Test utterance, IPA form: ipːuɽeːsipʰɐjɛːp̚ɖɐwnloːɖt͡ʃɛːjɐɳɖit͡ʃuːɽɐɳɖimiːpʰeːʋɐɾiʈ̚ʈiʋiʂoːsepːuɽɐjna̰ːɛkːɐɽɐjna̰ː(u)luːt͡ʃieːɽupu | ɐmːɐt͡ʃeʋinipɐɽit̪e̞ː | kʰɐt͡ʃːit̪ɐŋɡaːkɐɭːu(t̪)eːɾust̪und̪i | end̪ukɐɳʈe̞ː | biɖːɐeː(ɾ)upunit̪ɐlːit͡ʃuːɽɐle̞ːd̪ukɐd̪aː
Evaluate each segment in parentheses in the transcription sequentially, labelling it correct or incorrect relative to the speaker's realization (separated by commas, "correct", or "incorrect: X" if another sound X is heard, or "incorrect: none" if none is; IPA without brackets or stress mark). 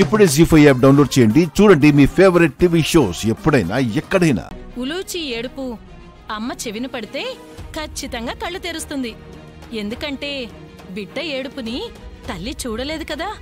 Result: correct, correct, incorrect: ɽ